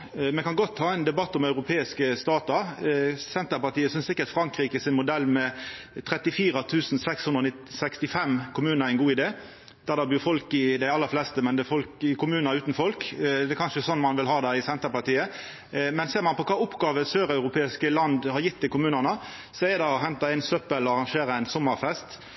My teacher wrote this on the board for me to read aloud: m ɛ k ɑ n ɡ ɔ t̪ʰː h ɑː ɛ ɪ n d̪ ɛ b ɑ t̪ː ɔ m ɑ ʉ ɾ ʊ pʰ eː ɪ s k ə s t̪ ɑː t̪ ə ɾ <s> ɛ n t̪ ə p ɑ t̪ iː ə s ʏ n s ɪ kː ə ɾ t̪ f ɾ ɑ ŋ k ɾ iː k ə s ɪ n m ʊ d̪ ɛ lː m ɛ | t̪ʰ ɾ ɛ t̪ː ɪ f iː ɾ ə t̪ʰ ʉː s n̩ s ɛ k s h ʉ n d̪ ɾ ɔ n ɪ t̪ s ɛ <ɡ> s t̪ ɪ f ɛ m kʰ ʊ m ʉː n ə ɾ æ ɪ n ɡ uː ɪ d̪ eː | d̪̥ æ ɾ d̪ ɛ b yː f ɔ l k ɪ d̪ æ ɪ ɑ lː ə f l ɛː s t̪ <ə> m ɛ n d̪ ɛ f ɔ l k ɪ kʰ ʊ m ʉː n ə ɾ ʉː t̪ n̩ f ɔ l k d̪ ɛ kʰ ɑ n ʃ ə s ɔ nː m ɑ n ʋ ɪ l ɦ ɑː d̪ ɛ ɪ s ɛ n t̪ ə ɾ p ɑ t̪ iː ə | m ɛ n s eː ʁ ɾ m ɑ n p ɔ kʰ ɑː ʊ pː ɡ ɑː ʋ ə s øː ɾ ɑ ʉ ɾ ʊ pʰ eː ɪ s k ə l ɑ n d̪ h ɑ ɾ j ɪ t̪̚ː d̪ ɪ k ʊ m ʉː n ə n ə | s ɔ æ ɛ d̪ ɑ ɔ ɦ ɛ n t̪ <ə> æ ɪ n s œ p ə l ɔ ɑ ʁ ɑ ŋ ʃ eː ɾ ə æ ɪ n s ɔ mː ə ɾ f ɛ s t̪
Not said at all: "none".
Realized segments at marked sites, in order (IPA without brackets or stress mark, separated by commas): s, k, ə, ɑ